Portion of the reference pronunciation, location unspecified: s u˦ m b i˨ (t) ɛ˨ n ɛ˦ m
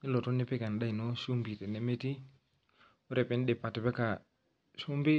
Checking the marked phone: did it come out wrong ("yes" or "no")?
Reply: no